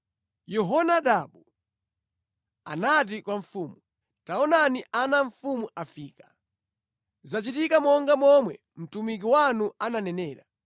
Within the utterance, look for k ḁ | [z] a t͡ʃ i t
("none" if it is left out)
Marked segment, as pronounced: z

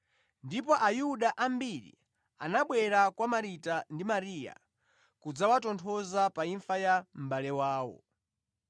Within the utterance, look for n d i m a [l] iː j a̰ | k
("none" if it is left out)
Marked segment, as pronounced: ɾ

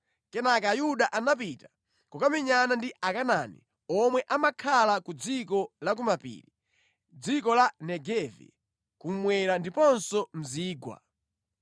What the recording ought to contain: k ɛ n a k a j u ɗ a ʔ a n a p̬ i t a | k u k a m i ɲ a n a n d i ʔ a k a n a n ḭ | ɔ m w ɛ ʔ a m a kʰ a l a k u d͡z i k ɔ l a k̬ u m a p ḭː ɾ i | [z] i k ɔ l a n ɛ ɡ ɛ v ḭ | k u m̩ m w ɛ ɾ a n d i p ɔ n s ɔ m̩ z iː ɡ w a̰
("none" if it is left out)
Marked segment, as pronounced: d͡z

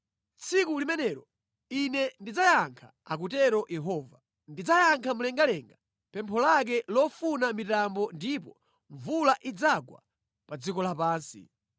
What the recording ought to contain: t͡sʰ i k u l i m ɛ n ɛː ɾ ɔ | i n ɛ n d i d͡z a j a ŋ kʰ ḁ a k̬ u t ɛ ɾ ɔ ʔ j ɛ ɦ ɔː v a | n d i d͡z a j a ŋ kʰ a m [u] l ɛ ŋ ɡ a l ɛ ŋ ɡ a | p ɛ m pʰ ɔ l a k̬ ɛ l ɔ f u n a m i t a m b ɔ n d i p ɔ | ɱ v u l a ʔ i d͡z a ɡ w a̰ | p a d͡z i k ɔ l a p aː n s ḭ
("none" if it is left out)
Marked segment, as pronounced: u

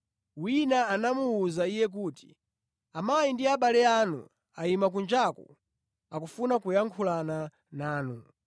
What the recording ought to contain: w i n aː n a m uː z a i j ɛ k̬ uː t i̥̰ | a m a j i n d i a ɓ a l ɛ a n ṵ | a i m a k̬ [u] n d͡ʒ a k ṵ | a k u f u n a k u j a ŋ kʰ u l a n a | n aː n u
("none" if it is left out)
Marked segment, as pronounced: u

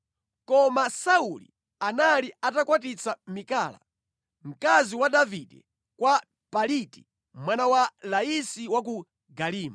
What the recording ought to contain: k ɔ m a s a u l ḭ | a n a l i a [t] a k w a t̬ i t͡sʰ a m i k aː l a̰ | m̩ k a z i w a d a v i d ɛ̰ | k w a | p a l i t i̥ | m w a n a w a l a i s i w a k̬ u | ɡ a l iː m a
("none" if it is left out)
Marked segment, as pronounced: t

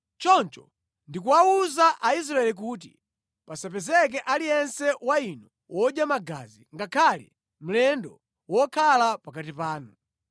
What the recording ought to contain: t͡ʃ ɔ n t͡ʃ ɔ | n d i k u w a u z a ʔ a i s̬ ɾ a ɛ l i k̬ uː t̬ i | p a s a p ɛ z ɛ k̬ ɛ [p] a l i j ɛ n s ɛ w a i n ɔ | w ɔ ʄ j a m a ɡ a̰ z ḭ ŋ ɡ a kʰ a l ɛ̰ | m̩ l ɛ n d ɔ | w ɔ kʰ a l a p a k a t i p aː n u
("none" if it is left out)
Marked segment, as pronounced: ʔ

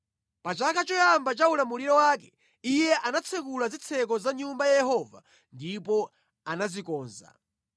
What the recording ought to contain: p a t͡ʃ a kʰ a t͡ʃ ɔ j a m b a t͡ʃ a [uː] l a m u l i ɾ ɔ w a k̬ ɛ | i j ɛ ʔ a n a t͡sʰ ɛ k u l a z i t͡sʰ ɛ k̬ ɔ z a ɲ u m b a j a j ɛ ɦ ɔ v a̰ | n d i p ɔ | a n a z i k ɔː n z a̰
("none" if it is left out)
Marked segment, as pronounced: u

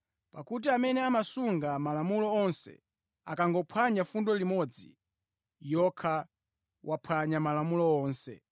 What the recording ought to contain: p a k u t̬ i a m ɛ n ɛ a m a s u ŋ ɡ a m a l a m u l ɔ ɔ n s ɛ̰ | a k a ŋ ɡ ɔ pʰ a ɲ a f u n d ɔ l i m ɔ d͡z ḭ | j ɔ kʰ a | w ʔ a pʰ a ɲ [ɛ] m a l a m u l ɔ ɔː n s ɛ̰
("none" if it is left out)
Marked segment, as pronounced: a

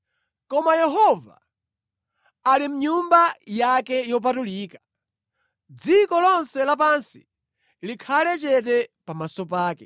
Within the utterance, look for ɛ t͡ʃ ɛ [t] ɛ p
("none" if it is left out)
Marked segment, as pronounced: t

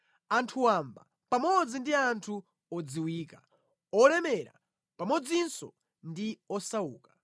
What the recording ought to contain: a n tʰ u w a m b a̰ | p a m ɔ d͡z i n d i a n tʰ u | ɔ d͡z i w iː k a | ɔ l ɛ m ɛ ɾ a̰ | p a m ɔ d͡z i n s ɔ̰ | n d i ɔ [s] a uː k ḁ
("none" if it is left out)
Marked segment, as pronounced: s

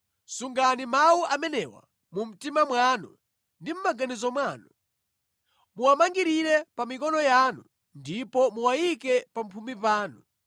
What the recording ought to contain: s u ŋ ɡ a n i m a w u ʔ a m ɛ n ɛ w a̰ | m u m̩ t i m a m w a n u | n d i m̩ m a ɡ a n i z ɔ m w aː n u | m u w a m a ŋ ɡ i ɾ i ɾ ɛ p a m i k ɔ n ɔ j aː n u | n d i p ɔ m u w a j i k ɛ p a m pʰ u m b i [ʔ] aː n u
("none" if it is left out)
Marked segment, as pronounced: p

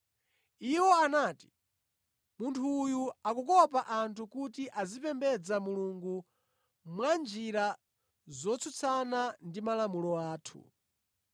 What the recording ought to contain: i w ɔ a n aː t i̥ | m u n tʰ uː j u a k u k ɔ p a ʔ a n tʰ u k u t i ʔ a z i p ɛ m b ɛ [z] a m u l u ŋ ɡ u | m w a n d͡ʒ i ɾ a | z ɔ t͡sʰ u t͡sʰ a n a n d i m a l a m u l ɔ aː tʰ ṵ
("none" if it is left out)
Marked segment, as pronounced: d͡z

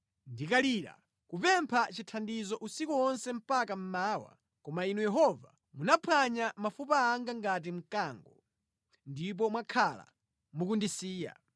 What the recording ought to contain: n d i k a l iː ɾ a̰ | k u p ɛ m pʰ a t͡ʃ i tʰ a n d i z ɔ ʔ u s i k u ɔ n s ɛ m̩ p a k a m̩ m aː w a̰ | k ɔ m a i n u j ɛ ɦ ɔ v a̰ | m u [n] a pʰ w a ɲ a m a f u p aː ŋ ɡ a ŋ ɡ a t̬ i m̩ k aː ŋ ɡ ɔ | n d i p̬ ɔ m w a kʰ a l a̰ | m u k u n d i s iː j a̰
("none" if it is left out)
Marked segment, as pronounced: n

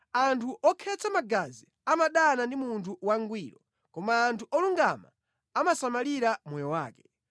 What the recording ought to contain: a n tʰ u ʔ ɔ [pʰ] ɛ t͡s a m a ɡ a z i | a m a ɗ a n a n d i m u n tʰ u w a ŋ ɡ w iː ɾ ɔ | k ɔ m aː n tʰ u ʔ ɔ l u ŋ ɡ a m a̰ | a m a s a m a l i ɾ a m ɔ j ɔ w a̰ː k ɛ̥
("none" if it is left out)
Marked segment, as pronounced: kʰ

